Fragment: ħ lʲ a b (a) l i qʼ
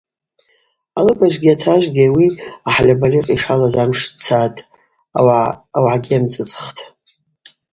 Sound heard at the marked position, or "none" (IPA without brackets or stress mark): a